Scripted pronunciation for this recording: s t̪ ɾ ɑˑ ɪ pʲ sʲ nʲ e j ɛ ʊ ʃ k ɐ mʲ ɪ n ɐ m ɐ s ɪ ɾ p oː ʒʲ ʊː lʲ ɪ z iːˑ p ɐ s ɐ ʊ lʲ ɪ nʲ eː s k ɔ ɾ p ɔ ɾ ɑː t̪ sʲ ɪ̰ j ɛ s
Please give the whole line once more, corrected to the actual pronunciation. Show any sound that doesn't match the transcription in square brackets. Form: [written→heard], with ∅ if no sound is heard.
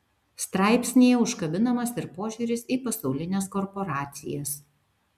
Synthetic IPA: s t̪ ɾ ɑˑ ɪ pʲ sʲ nʲ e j ɛ ʊ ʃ k ɐ [mʲ→bʲ] ɪ n ɐ m ɐ s ɪ ɾ p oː ʒʲ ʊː [lʲ→ɾʲ] ɪ [z→s] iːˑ p ɐ s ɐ ʊ lʲ ɪ nʲ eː s k ɔ ɾ p ɔ ɾ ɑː t̪ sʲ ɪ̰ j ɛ s